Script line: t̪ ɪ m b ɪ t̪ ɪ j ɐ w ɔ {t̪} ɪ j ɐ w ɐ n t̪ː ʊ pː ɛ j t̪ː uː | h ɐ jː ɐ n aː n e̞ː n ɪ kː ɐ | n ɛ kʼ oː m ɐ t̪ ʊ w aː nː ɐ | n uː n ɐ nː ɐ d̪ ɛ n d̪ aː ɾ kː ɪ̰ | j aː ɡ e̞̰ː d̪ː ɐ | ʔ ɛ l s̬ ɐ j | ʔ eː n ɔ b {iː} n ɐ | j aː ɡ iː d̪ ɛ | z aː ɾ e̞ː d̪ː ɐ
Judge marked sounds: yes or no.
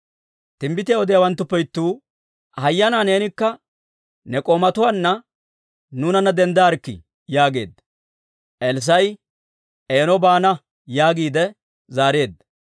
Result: no, no

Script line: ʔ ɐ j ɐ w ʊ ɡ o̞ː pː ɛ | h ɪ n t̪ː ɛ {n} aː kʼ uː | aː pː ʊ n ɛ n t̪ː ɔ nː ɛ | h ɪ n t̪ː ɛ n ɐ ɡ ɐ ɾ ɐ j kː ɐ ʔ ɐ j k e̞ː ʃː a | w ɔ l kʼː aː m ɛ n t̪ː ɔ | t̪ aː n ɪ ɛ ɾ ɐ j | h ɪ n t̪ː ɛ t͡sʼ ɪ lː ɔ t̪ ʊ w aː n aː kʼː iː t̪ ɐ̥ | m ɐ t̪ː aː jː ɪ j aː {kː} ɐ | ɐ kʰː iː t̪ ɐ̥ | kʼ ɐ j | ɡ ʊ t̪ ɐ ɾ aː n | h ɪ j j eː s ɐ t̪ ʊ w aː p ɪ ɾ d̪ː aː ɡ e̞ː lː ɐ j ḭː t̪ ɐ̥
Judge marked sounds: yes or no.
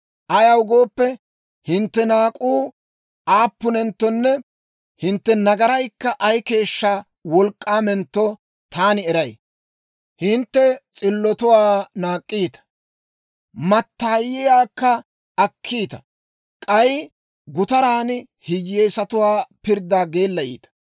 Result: yes, yes

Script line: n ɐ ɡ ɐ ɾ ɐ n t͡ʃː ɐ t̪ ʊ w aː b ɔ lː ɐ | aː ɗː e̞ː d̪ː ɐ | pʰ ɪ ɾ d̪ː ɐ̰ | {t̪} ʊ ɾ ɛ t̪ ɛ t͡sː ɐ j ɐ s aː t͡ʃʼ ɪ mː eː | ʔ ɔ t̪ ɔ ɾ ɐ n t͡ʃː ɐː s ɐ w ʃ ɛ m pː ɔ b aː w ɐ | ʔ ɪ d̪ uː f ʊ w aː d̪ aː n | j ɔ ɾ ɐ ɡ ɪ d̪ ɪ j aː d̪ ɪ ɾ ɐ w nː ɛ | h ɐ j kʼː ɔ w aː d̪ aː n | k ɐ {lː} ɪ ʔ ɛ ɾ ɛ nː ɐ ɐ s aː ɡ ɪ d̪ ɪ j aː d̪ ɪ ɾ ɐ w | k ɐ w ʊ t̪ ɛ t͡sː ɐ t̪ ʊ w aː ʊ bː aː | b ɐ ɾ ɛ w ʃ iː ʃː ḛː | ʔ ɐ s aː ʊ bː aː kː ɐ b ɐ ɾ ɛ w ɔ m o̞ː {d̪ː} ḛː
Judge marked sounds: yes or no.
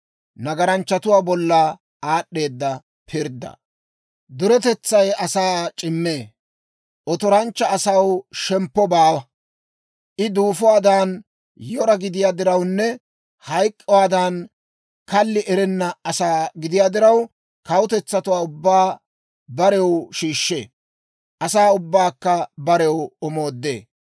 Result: no, yes, yes

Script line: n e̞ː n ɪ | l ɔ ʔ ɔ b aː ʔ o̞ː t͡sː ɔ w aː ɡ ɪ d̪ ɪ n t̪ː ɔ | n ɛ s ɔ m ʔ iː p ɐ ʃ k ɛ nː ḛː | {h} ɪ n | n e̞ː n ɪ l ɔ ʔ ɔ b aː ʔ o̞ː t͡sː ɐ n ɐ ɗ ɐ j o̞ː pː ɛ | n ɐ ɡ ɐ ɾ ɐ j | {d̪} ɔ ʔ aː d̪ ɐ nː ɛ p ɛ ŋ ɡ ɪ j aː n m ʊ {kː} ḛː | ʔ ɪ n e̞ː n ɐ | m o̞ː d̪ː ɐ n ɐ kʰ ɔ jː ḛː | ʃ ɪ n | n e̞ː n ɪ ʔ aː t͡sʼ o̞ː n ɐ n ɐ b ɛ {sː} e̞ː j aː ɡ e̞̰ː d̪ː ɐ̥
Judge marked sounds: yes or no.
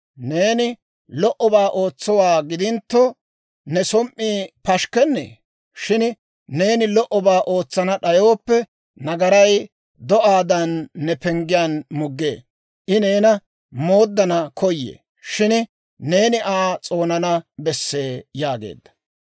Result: no, yes, no, yes

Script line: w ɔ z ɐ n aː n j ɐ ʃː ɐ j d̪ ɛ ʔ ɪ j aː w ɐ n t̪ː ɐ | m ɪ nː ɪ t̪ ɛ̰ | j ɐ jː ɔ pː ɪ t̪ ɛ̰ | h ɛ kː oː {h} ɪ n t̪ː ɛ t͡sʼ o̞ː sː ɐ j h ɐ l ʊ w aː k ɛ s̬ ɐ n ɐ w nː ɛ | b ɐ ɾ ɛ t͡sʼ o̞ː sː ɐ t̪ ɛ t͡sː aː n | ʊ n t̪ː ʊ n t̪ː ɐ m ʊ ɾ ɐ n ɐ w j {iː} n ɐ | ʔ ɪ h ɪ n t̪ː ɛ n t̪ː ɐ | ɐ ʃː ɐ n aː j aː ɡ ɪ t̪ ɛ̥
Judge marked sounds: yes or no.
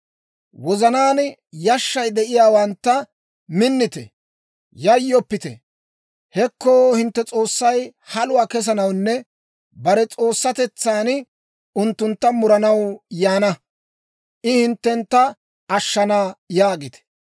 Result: yes, no

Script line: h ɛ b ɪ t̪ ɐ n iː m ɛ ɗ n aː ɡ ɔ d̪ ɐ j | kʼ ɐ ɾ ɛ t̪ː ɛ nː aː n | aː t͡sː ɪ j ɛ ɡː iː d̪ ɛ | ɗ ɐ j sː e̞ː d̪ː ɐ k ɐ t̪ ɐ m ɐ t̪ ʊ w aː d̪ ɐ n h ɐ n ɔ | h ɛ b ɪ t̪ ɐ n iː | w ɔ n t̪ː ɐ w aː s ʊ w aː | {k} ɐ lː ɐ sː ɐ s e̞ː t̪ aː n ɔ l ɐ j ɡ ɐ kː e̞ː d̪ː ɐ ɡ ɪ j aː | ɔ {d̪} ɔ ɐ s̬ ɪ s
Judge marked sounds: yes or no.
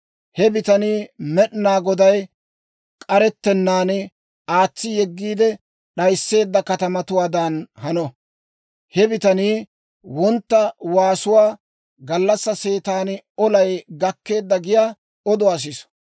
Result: no, yes

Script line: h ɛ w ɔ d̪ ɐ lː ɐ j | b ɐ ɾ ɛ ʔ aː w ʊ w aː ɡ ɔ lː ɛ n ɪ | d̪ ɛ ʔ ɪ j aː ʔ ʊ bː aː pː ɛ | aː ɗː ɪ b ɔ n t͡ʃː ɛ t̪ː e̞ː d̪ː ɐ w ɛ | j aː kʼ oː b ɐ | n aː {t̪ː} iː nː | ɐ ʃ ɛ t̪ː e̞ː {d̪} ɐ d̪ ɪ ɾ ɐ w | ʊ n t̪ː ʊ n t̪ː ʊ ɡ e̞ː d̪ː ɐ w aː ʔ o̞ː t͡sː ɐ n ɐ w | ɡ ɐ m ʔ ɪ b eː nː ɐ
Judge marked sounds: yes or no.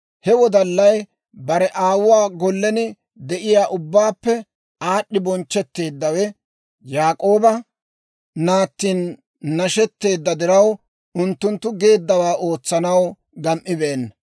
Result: yes, no

